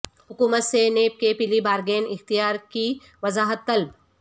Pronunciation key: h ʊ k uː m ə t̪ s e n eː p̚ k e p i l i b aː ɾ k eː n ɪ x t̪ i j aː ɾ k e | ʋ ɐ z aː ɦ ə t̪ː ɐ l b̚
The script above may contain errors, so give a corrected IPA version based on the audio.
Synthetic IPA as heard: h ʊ k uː m ə t̪ s e n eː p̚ k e p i l i b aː ɾ ɡ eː n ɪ x t̪ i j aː ɾ k i | ʋ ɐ z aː ɦ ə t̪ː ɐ l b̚